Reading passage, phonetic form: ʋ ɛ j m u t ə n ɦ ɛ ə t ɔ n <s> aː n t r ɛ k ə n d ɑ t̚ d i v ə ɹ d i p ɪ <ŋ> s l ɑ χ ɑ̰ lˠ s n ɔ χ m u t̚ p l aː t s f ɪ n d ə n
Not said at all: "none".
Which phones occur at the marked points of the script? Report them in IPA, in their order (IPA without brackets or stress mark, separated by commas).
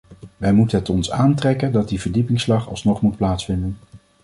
s, ŋ